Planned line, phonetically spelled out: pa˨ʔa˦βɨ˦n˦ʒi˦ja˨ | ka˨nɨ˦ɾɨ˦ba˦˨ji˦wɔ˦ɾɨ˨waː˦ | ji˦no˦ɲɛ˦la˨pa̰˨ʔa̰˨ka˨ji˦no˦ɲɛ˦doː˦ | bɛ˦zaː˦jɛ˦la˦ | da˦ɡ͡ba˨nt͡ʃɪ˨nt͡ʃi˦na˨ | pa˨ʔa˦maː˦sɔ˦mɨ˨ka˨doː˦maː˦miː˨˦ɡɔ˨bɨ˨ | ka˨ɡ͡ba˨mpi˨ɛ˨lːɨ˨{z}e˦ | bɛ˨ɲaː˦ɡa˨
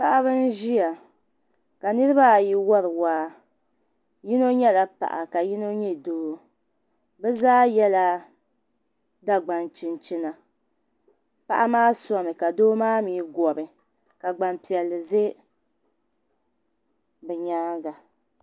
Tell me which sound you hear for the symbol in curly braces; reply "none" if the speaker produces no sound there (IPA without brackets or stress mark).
z